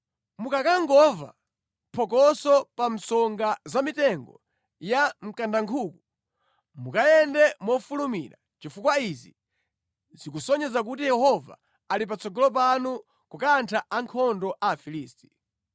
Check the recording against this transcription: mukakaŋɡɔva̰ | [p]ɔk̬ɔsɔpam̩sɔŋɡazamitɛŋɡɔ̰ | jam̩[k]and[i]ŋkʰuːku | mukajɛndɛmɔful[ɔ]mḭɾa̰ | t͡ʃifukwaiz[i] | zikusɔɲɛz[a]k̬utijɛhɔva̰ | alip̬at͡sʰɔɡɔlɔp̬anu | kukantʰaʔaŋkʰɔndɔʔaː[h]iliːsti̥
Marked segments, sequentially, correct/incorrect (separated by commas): incorrect, correct, incorrect, incorrect, correct, correct, incorrect